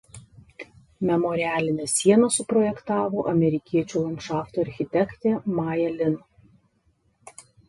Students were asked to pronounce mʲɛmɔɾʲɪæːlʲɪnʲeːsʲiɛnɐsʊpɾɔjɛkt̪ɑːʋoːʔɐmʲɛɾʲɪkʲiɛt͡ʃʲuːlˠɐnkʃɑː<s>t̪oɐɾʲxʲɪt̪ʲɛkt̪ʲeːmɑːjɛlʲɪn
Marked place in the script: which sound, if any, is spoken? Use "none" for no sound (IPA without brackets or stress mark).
f